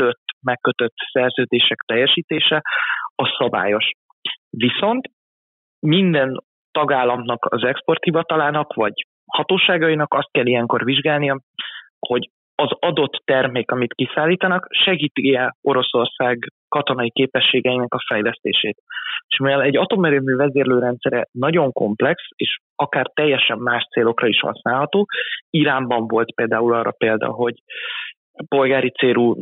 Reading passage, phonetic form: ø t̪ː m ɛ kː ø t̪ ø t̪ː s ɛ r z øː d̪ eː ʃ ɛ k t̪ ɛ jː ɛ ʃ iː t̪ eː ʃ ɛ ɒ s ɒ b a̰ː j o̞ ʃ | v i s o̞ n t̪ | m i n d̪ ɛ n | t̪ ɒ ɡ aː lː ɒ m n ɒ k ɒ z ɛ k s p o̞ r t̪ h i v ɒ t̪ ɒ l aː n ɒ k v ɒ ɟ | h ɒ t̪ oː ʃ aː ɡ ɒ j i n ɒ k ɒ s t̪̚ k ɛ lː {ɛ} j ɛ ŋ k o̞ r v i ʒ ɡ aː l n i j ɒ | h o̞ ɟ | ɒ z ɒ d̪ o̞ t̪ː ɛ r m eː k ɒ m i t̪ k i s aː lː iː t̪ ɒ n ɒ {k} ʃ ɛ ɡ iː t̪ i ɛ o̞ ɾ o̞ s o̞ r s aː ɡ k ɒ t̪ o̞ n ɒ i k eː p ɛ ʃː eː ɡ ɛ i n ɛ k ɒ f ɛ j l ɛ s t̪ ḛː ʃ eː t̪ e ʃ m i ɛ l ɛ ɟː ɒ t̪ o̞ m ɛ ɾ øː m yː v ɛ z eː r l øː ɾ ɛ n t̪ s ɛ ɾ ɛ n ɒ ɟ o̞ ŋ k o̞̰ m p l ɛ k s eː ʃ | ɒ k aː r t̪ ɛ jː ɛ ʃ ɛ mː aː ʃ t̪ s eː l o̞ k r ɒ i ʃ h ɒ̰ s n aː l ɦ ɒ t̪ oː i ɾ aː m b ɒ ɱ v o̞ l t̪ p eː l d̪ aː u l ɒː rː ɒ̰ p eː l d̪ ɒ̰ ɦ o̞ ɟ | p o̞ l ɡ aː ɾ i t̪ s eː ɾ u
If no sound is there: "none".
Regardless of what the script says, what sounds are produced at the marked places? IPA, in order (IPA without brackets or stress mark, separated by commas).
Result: i, k